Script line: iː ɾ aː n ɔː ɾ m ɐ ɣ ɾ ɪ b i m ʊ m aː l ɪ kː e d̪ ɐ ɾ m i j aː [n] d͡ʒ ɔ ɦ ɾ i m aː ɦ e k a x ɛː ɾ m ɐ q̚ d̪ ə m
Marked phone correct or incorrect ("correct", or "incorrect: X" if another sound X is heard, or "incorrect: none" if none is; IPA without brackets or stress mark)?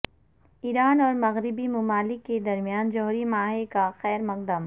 correct